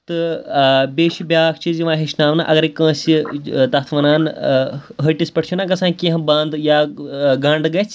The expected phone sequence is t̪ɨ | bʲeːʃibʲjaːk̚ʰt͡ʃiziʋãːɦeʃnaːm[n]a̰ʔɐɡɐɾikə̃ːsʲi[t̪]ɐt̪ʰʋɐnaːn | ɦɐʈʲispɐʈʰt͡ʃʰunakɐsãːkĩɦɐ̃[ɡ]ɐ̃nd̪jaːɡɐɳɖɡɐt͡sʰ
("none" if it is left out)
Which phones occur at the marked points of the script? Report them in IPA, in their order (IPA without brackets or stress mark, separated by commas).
n, t̪, b